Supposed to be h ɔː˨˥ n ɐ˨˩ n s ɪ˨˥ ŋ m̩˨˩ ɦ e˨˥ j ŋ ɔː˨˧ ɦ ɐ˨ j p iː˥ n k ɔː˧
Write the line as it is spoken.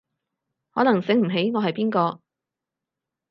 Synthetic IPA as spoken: h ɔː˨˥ n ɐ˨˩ ŋ s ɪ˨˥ ŋ m̩˨˩ ɦ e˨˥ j ŋ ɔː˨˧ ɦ ɐ˨ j p iː˥ n k ɔː˧